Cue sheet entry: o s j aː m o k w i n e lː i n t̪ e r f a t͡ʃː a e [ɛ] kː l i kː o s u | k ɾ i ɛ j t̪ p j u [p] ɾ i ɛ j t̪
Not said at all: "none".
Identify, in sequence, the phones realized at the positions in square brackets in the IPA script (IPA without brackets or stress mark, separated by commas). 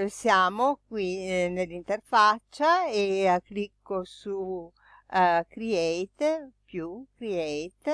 a, k